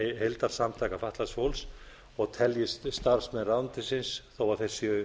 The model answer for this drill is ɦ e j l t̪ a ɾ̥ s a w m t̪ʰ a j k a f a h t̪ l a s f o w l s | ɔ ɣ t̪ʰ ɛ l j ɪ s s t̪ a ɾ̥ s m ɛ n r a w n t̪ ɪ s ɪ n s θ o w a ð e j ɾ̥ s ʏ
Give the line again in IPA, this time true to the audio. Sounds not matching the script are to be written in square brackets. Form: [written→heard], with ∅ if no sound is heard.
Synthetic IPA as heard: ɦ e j l t̪ a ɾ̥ s a [w→∅] m t̪ʰ a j k a f a h t̪ l a s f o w l s | ɔ ɣ t̪ʰ ɛ l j ɪ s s t̪ a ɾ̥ s m ɛ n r a w n t̪ ɪ s ɪ n s θ o w a [ð→θ] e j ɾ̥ s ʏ